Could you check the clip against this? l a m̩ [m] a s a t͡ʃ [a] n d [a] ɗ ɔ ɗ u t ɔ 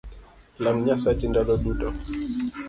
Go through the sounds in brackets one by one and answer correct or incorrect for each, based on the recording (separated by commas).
incorrect, incorrect, correct